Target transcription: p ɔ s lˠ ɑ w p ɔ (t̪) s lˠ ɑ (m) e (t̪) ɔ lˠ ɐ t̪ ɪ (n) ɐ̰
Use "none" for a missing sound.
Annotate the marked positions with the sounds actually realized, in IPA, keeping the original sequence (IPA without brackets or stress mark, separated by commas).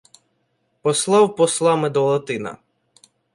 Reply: none, m, d̪, n